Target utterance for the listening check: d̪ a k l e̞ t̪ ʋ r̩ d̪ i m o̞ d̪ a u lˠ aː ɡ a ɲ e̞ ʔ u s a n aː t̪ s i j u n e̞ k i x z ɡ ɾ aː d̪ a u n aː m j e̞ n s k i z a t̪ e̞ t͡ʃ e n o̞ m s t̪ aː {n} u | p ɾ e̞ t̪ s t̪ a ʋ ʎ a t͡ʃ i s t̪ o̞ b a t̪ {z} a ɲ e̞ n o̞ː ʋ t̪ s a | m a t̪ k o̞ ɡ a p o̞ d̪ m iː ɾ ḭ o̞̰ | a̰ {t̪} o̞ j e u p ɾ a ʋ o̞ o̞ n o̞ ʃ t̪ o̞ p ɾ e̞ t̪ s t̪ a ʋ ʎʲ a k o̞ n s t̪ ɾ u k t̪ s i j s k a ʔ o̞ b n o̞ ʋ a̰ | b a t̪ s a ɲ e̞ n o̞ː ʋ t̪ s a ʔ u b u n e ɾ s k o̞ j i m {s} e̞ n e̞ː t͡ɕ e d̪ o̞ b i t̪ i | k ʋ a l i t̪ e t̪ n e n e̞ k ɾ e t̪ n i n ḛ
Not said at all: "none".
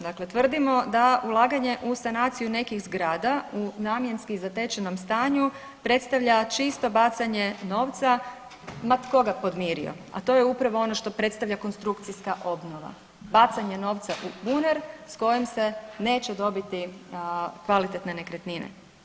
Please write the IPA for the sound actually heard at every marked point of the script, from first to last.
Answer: ɲ, s, t̪, s

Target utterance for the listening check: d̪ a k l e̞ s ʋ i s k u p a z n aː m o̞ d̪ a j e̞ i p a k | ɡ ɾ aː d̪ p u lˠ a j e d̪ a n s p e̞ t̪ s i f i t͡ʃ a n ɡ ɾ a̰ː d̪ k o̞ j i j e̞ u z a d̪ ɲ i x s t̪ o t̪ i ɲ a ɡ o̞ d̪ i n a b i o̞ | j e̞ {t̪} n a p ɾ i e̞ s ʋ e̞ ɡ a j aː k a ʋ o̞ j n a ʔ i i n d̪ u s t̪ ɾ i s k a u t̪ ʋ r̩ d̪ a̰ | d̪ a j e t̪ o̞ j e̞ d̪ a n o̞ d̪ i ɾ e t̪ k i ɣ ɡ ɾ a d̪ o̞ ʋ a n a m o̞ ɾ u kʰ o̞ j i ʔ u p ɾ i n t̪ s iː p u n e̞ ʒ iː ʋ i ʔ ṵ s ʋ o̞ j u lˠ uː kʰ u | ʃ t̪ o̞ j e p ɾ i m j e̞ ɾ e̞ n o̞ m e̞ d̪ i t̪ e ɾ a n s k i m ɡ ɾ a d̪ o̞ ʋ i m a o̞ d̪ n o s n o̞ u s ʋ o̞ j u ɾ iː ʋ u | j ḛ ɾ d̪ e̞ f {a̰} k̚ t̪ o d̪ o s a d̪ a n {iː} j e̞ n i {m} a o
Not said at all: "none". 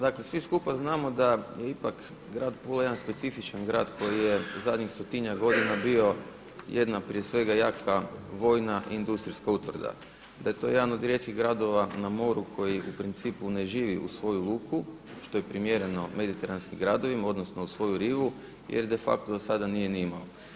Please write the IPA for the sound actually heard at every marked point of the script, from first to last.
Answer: d̪, a̰, i, m

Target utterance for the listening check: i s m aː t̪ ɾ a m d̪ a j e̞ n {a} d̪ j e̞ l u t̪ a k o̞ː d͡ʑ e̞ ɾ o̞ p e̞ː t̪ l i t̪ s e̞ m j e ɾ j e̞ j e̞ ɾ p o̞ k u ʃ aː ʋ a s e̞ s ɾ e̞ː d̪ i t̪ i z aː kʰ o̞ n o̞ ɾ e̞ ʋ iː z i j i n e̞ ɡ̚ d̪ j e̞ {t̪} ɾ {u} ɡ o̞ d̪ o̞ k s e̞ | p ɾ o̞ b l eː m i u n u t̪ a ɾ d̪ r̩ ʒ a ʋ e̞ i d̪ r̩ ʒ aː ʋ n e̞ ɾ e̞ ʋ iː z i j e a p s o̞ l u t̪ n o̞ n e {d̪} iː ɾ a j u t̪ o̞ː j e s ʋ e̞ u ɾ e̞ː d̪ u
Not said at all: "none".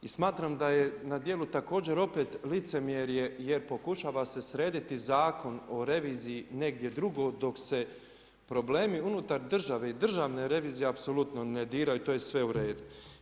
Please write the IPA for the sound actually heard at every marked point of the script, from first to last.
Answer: a, d̪, u, d̪

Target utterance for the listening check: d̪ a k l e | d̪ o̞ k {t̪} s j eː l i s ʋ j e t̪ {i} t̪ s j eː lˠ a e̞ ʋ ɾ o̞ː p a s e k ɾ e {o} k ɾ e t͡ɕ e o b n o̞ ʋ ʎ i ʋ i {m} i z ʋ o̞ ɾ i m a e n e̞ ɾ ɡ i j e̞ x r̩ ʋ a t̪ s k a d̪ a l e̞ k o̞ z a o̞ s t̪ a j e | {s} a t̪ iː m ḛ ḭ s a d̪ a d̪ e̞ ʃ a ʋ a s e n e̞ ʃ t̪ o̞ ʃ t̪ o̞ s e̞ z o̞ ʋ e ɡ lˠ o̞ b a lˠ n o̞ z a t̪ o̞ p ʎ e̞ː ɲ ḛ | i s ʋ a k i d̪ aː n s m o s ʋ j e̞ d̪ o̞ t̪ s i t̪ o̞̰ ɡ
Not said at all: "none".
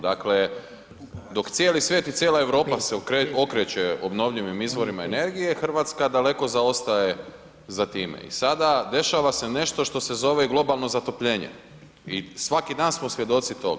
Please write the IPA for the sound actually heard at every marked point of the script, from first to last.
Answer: t̪, i, o, m, z

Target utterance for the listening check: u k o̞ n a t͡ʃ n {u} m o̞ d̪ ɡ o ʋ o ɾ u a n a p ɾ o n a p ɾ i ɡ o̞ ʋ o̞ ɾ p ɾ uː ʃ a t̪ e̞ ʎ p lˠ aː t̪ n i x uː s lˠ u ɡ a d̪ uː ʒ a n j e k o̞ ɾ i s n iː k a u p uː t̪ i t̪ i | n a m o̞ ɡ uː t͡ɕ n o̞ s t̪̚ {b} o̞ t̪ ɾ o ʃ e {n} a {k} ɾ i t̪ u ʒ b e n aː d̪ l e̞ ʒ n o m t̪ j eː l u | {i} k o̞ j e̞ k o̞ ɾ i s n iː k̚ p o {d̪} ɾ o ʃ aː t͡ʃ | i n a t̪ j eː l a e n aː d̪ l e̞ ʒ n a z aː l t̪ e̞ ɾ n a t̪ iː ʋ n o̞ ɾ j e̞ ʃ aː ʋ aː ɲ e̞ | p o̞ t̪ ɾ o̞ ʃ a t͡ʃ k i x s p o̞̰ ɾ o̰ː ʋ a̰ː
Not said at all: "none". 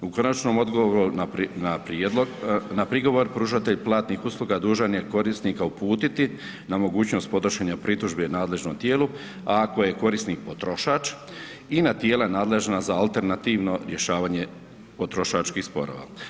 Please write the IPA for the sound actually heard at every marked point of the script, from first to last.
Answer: o, p, ɲ, p, a, t̪

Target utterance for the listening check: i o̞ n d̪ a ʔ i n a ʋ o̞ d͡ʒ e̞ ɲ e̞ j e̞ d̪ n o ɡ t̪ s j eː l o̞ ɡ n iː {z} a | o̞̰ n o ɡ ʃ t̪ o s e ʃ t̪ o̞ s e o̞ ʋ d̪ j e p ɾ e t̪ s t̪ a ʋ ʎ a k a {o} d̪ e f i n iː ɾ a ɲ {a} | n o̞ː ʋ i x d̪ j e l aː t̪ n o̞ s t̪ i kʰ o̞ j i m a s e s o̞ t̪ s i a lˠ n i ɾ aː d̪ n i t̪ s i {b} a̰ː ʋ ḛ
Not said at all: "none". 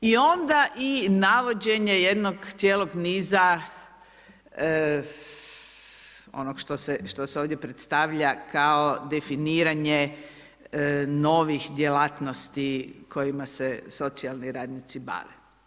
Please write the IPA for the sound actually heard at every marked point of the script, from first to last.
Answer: z, o, e, b

